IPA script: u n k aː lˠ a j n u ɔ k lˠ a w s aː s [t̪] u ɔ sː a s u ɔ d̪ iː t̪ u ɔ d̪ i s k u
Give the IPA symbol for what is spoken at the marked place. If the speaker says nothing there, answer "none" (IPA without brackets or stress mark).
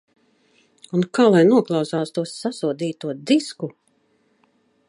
t̪